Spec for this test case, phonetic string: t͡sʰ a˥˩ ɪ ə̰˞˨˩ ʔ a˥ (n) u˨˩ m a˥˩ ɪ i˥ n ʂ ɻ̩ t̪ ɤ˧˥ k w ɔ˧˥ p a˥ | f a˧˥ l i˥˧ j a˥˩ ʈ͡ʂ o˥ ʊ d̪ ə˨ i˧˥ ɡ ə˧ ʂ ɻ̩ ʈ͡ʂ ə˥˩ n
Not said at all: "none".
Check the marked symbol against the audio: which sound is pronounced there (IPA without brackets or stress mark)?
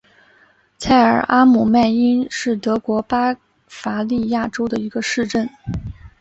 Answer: m